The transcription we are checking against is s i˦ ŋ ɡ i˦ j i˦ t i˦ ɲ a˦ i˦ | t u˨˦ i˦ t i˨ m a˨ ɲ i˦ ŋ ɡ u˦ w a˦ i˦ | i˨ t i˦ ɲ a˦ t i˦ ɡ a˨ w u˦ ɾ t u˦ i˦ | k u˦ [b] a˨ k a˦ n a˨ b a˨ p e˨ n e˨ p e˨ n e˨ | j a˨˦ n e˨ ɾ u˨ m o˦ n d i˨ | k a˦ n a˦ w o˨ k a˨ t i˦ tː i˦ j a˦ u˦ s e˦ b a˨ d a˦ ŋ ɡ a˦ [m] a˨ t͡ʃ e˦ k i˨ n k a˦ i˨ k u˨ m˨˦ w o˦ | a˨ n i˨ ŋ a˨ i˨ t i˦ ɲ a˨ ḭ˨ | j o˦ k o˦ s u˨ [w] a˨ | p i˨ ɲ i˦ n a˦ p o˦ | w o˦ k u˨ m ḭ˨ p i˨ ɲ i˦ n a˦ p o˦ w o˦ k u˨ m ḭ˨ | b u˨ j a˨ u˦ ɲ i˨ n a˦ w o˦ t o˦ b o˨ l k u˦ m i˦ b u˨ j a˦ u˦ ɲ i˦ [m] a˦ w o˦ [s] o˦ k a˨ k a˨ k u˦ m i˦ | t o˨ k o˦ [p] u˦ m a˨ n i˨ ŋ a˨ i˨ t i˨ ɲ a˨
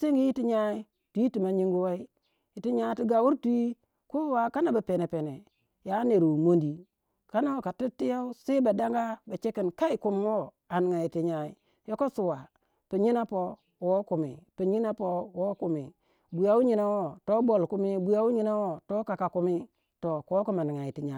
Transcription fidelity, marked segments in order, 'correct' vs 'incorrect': incorrect, incorrect, correct, incorrect, incorrect, incorrect

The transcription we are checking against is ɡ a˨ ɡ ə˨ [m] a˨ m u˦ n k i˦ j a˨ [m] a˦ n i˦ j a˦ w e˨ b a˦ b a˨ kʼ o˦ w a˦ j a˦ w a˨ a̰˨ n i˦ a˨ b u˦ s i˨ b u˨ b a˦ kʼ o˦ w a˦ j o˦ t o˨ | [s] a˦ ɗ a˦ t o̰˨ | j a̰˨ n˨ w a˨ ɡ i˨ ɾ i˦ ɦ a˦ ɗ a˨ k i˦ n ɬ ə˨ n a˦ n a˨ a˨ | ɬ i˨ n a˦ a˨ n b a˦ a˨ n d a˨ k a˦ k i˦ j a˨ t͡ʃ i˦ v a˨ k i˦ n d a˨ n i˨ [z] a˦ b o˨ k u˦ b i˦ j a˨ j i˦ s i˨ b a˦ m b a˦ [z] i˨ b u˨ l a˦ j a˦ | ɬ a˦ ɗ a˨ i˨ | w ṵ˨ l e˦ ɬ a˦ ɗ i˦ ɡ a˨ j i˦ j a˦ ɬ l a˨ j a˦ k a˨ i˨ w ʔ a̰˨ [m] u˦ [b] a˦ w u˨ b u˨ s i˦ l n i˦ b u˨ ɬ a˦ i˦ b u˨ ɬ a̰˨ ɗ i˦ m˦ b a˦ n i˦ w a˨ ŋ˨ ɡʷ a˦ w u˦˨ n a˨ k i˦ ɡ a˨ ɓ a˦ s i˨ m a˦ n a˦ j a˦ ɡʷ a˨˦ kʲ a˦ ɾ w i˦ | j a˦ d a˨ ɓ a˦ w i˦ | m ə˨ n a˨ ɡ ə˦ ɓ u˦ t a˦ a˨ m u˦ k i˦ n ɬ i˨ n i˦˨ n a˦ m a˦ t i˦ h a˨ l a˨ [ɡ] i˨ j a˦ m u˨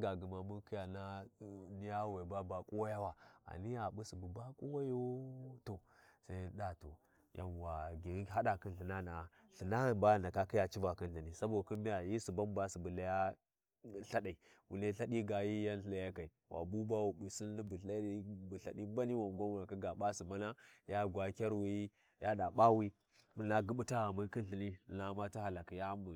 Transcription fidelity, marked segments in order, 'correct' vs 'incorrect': correct, incorrect, correct, incorrect, incorrect, incorrect, correct, incorrect

